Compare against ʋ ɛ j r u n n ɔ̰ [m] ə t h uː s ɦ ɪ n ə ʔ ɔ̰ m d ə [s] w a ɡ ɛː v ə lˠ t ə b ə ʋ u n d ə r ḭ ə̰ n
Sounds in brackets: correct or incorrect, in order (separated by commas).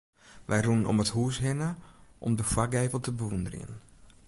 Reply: correct, incorrect